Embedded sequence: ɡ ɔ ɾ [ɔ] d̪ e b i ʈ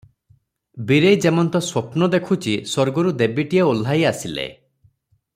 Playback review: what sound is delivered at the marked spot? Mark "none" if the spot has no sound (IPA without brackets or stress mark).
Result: u